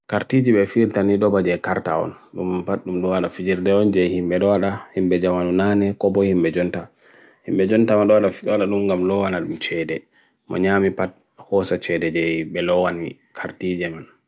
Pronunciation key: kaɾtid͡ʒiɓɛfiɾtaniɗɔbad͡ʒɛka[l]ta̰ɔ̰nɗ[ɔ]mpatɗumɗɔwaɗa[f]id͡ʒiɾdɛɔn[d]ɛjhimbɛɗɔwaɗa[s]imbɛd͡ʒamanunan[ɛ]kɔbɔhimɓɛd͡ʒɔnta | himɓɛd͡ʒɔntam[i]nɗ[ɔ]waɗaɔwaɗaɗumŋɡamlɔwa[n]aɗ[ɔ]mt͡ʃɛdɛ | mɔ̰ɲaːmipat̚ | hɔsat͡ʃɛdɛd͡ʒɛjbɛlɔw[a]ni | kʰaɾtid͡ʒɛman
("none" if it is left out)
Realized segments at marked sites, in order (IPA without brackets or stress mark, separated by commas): ɾ, u, f, d͡ʒ, h, ɛ, a, ɔ, n, u, a